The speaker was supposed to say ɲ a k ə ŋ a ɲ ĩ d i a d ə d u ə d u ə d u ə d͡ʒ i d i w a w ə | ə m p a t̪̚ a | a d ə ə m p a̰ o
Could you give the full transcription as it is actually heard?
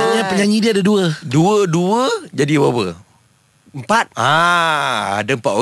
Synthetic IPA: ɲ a p ə ɲ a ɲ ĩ d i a d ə d u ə d u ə d u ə d͡ʒ a d i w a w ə | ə m p a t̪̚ a | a d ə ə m p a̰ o